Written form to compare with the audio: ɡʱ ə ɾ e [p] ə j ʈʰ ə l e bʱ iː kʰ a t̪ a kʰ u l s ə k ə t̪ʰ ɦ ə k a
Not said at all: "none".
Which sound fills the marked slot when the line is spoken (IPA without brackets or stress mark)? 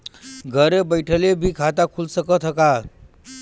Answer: b